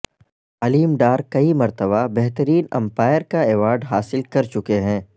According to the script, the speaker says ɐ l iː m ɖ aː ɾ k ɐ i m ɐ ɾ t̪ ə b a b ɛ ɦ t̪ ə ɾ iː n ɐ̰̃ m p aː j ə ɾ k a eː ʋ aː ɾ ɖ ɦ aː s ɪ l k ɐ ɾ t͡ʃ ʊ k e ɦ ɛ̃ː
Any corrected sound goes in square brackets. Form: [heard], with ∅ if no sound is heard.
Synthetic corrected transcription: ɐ l iː m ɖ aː ɾ k ɐ i m ɐ ɾ t̪ ə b a b ɛ ɦ t̪ ə ɾ iː n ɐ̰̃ m p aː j ə ɾ k a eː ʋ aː ɾ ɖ ɦ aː s ɪ l k ɐ ɾ t͡ʃ ʊ k e ɦ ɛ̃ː

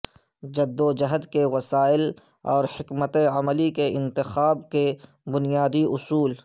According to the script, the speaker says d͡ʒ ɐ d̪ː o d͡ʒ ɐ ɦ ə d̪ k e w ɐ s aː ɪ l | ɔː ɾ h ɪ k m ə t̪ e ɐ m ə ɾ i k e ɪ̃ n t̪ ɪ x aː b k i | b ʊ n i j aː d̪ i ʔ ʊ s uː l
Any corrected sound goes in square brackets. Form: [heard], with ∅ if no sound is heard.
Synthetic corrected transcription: d͡ʒ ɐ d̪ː o d͡ʒ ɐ ɦ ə d̪ k e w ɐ s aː ɪ l | ɔː ɾ h ɪ k m ə t̪ e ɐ m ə [l] i k e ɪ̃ n t̪ ɪ x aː b k [e] | b ʊ n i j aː d̪ i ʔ ʊ s uː l

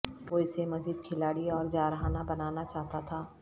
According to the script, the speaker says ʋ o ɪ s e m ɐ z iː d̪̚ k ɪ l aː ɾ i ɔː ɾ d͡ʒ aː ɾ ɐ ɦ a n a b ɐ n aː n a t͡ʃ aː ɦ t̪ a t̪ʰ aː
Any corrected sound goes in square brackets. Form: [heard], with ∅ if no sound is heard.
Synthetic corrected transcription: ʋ o ɪ s e m ɐ z iː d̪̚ [kʰ] ɪ l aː [ɽ] i ɔː ɾ d͡ʒ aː ɾ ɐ ɦ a n a b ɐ n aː n a t͡ʃ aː ɦ t̪ a t̪ʰ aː

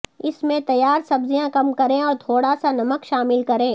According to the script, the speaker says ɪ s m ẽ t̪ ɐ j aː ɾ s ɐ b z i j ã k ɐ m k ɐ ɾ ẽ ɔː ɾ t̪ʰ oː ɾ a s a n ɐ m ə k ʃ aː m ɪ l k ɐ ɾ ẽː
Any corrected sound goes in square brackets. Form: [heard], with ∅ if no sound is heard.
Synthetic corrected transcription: ɪ s m ẽ t̪ ɐ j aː ɾ s ɐ b z i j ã k ɐ m k ɐ ɾ ẽ ɔː ɾ t̪ʰ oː [ɽ] a s a n ɐ m ə k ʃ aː m ɪ l k ɐ ɾ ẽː

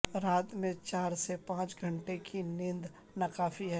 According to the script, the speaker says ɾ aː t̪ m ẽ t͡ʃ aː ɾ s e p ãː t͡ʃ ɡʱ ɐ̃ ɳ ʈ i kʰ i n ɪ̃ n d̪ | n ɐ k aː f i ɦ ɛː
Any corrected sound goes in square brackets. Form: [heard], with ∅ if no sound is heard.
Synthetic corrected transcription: ɾ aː t̪ m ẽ t͡ʃ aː ɾ s e p ãː t͡ʃ ɡʱ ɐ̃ ɳ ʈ [e] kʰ i n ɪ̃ n d̪ | n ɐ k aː f i ɦ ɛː

